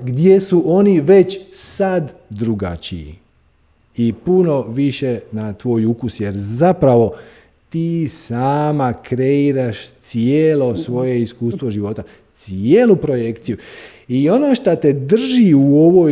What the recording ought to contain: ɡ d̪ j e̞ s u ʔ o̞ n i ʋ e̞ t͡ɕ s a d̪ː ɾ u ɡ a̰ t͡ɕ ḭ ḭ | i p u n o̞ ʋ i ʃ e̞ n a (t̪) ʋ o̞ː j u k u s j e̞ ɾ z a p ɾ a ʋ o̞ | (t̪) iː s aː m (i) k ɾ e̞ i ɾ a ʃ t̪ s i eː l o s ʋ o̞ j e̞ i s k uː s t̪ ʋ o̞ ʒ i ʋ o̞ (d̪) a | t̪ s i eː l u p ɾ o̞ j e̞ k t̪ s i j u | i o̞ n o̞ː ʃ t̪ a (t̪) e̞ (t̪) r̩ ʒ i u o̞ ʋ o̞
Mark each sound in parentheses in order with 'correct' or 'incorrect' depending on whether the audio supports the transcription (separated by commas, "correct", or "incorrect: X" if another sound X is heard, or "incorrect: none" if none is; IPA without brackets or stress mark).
correct, correct, incorrect: a, incorrect: t̪, correct, incorrect: d̪